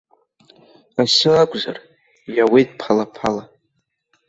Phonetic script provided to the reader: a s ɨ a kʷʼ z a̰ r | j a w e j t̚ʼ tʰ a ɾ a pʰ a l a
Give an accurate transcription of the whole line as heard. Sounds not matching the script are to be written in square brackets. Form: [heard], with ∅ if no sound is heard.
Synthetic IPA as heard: a s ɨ a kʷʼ z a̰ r | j a w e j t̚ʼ [pʰ] a [l] a pʰ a l a